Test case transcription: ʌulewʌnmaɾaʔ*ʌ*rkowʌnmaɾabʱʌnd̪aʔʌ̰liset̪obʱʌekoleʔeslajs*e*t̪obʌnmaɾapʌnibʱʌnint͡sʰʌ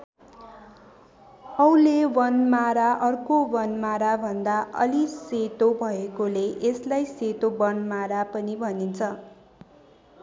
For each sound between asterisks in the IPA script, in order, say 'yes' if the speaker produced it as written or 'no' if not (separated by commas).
yes, yes